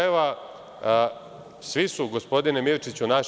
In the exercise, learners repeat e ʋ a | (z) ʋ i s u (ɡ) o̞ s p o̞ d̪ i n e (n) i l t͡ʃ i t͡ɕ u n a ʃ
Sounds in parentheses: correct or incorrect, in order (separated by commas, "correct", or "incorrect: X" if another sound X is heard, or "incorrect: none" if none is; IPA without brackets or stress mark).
incorrect: s, correct, incorrect: m